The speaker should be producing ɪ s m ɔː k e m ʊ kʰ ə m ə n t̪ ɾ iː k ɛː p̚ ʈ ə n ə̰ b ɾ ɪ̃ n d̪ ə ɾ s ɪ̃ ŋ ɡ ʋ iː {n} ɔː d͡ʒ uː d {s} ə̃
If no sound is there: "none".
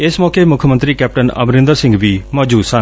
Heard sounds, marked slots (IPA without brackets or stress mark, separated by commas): m, s